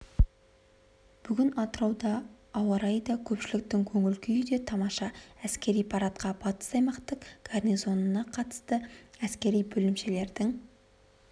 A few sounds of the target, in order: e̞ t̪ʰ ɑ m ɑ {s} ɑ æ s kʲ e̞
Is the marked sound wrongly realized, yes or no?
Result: yes